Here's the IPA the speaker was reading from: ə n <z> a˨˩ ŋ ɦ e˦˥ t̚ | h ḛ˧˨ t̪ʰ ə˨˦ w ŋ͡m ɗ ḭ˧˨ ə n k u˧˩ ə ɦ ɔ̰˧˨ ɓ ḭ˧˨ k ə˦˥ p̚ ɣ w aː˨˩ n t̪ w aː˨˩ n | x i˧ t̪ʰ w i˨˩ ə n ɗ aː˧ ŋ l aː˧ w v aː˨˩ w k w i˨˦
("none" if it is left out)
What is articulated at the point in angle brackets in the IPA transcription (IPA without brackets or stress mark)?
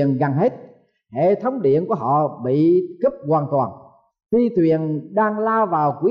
ɣ